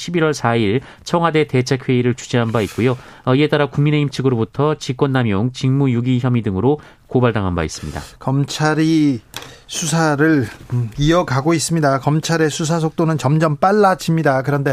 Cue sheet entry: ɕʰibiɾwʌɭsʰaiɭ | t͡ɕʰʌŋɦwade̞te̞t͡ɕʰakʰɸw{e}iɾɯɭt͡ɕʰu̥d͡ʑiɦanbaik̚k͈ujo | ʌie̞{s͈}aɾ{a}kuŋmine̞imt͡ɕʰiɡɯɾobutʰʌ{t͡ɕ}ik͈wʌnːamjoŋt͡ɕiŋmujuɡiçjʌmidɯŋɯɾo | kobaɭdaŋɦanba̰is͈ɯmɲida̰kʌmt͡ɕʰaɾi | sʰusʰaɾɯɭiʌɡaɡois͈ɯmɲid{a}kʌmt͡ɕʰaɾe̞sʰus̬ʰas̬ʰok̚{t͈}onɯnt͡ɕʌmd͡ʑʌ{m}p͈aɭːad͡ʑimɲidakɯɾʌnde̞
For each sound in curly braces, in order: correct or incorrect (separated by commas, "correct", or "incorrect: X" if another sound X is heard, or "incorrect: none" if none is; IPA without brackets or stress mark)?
correct, incorrect: t͈, correct, correct, correct, correct, correct